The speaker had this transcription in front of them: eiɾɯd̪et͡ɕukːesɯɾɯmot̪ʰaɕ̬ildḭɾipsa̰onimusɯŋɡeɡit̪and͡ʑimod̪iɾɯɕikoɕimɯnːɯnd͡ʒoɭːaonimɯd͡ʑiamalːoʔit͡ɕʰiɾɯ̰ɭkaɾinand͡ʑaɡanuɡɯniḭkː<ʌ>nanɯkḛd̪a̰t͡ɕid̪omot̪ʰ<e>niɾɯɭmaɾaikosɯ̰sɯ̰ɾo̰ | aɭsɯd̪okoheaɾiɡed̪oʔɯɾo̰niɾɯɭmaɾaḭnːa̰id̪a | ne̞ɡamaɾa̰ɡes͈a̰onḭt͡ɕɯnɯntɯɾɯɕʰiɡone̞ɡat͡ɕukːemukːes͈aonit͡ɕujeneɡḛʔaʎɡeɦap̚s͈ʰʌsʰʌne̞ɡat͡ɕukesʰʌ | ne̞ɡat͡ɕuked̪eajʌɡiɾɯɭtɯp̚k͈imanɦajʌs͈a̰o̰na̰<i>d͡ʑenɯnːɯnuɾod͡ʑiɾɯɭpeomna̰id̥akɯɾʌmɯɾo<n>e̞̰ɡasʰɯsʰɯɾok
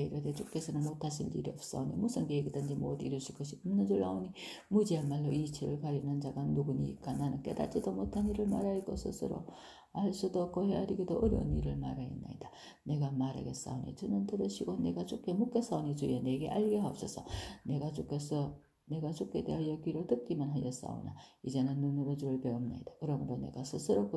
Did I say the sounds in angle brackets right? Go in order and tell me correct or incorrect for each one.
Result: incorrect, incorrect, correct, correct

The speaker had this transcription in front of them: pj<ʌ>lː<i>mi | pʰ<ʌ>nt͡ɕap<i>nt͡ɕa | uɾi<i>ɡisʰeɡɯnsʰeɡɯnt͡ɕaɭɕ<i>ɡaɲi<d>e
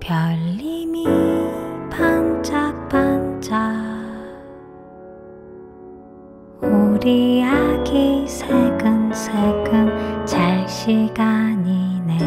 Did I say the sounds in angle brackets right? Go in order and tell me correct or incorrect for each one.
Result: correct, correct, incorrect, incorrect, incorrect, correct, incorrect

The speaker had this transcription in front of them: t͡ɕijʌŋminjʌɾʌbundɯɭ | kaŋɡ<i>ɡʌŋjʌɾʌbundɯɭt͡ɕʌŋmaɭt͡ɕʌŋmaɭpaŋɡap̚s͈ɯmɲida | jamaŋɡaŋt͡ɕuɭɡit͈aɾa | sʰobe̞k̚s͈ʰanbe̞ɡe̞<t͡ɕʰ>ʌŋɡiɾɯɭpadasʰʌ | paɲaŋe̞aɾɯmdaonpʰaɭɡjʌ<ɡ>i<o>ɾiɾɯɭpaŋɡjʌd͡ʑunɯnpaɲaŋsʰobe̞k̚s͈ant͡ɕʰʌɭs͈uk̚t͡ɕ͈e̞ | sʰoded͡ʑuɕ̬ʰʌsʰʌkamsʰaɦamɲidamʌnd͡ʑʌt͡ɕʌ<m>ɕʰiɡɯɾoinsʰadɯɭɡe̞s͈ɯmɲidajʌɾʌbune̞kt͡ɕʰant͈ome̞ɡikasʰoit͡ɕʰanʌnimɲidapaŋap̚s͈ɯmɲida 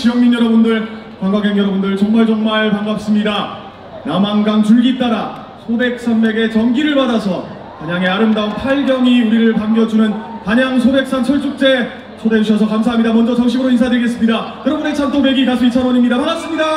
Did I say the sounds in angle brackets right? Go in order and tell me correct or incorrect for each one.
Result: incorrect, incorrect, incorrect, incorrect, incorrect

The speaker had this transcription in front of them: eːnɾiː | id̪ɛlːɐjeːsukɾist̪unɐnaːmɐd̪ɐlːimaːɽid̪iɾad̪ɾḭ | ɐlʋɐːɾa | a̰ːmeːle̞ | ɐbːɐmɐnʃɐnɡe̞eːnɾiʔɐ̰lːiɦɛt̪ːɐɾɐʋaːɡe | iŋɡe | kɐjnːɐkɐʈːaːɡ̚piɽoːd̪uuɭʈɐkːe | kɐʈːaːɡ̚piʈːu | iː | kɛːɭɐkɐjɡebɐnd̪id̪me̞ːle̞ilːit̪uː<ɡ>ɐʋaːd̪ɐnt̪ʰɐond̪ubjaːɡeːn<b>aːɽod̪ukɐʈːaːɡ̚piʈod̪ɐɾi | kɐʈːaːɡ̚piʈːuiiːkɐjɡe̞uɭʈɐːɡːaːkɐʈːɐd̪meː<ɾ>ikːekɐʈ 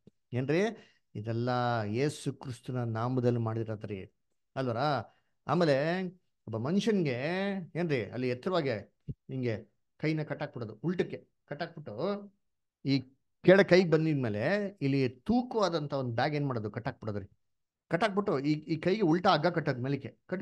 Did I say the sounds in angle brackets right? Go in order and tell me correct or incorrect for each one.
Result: incorrect, incorrect, incorrect

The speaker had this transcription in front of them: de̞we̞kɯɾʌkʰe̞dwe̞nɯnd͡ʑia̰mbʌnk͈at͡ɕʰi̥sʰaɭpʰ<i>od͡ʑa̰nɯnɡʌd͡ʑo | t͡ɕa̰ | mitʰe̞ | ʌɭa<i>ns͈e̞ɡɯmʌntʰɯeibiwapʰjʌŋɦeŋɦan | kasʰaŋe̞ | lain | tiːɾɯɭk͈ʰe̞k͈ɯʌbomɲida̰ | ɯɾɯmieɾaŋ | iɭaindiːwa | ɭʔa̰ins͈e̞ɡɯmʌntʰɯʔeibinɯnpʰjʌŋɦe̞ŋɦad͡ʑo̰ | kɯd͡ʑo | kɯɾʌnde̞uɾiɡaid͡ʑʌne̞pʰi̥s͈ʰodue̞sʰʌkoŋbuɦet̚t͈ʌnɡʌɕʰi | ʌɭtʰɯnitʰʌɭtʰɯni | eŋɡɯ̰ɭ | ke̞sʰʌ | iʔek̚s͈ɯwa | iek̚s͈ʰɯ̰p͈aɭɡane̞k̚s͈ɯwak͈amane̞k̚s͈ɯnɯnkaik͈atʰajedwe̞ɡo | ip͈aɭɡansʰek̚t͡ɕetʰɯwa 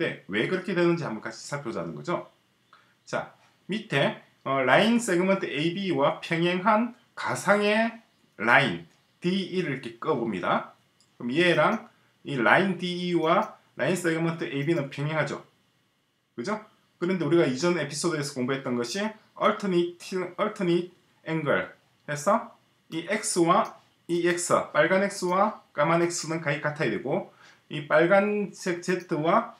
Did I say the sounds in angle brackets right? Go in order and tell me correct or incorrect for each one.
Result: incorrect, correct

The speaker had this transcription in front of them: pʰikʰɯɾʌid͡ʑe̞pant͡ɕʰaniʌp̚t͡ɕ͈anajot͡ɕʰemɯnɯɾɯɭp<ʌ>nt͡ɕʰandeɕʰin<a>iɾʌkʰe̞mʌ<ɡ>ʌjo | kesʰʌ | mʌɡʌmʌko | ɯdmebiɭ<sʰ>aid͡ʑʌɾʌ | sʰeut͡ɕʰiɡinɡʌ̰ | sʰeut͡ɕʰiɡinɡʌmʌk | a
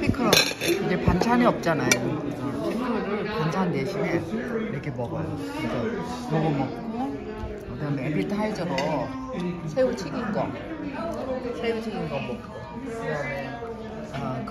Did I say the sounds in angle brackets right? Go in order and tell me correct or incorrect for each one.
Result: incorrect, incorrect, correct, incorrect

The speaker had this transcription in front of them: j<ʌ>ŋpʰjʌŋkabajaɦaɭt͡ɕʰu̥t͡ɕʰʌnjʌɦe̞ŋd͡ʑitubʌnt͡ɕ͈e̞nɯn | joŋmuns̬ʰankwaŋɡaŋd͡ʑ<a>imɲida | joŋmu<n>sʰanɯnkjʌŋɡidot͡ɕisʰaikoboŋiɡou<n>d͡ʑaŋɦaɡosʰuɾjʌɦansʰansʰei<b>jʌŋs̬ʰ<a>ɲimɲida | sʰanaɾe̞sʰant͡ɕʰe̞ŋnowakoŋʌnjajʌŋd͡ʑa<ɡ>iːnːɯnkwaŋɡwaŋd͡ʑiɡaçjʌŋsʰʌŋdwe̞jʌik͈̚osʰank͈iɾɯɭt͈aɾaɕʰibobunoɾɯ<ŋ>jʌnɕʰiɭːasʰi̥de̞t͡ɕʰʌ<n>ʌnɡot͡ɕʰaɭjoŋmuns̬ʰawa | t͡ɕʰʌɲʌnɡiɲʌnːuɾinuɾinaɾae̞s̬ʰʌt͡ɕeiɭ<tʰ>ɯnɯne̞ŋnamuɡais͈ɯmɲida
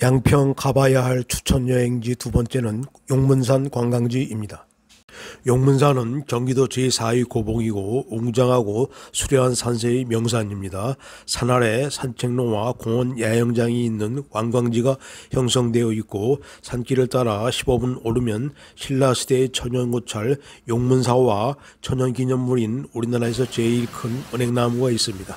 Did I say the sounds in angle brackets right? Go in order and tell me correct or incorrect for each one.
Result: incorrect, incorrect, correct, incorrect, incorrect, correct, incorrect, incorrect, incorrect, incorrect

